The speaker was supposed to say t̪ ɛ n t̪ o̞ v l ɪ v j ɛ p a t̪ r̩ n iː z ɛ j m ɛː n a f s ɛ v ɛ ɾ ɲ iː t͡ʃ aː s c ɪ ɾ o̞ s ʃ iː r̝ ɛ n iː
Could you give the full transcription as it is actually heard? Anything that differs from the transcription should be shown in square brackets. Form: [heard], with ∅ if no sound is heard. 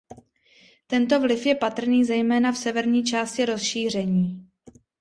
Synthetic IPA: t̪ ɛ n t̪ o̞ v l ɪ [f] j ɛ p a t̪ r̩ n iː z ɛ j m ɛː n a f s ɛ v ɛ ɾ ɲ iː t͡ʃ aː s c ɪ ɾ o̞ s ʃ iː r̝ ɛ [ɲ] iː